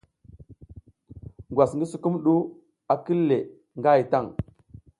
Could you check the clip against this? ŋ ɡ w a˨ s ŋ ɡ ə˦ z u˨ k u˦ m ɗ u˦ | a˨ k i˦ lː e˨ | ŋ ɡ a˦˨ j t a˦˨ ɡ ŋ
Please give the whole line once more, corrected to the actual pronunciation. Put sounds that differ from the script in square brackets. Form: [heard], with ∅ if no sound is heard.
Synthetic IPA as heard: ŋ ɡ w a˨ s ŋ ɡ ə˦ [s] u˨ k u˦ m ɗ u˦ | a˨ k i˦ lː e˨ | ŋ ɡ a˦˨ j t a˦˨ [∅] ŋ